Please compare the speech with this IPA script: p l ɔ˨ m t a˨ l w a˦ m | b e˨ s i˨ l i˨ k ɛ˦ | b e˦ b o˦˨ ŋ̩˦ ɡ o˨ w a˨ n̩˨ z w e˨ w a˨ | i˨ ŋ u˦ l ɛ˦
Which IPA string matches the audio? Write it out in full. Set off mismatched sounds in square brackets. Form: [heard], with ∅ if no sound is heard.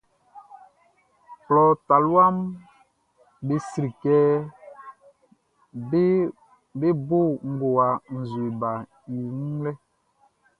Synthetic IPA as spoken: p l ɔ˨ [∅] t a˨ l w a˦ m | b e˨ s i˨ [ɾ] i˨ k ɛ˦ | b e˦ b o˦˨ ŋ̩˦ ɡ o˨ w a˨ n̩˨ z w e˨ [b] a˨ | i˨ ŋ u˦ l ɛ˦